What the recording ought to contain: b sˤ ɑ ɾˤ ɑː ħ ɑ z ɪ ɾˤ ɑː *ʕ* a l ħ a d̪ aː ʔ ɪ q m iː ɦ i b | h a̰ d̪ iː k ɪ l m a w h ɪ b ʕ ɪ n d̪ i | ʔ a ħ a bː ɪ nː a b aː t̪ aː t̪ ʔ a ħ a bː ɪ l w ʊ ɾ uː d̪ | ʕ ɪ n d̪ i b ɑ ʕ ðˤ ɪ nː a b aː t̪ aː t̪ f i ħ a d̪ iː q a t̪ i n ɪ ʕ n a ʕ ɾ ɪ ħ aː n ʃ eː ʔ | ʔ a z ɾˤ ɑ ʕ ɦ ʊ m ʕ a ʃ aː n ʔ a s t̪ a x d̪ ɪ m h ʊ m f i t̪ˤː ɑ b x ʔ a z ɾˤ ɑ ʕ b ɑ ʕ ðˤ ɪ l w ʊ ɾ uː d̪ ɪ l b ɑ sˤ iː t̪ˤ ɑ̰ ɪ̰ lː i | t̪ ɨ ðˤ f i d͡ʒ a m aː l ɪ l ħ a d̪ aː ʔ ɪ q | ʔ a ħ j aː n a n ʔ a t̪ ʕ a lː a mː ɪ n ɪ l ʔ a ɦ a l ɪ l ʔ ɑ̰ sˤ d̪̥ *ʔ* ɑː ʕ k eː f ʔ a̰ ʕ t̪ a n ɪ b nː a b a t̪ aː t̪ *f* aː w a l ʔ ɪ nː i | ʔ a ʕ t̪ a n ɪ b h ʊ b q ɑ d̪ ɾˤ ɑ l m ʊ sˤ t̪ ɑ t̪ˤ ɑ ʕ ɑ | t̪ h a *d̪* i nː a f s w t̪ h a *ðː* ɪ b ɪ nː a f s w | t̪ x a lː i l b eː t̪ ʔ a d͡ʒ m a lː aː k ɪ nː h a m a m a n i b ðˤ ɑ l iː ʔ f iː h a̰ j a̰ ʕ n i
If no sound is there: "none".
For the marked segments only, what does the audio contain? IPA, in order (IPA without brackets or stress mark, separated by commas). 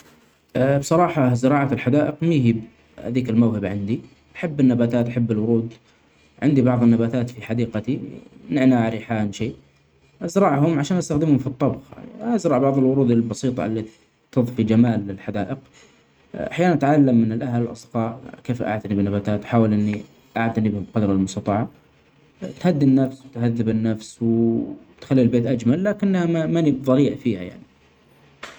ʕ, q, ħ, d̪ː, ðː